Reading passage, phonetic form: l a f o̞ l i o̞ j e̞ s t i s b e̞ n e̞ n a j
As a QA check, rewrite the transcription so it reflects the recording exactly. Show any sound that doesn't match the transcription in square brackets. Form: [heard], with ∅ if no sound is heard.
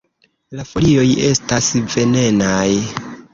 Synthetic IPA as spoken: l a f o̞ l i o̞ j e̞ s t [a] s [v] e̞ n e̞ n a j

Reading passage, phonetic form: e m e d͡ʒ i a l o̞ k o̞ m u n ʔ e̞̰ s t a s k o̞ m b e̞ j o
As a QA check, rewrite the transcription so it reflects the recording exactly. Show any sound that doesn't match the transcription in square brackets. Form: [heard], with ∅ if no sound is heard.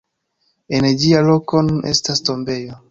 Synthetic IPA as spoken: e [n] e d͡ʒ i a l o̞ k o̞ [n] u n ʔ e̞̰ s t a s [t] o̞ m b e̞ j o

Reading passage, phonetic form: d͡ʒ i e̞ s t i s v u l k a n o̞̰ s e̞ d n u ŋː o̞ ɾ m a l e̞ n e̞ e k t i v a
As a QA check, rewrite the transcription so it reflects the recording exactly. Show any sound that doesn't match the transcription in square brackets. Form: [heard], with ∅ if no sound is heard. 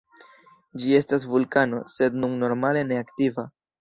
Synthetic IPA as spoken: d͡ʒ i e̞ s t [a] s v u l k a n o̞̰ s e̞ d n u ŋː o̞ ɾ m a l e̞ n e̞ [a] k t i v a

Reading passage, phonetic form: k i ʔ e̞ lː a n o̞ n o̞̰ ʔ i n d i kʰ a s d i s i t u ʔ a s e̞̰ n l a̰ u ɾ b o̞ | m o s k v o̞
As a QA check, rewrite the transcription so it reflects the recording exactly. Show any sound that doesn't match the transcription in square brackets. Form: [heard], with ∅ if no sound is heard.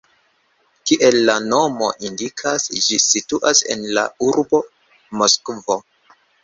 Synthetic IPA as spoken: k i ʔ e̞ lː a n o̞ [m] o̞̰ ʔ i n d i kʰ a s [d͡ʒ] i s i t u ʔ a s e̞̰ n l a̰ u ɾ b o̞ | m o s k v o̞

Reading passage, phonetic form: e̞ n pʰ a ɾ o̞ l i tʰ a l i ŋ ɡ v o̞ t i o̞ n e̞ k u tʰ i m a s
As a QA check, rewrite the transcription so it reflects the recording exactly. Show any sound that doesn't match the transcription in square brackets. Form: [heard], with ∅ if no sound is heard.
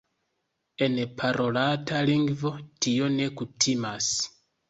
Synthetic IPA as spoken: e̞ n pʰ a ɾ o̞ l [a] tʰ a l i ŋ ɡ v o̞ t i o̞ n e̞ k u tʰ i m a s

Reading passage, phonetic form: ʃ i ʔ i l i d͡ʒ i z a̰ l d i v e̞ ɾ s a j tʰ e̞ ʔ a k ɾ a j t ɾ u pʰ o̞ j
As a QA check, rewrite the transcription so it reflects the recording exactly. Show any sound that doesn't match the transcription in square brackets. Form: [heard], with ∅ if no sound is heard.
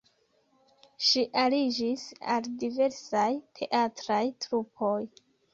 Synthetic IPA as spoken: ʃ i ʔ [a] l i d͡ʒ i [s] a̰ l d i v e̞ ɾ s a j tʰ e̞ ʔ a [t] ɾ a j t ɾ u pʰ o̞ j

